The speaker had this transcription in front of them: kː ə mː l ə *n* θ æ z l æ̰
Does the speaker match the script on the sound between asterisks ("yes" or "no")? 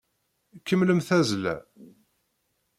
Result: no